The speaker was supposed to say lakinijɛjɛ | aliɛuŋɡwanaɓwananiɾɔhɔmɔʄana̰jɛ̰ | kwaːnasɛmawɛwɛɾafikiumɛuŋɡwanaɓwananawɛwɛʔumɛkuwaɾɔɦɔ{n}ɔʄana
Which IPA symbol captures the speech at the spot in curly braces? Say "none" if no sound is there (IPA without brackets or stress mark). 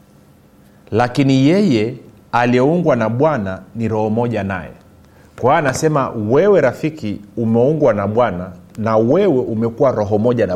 m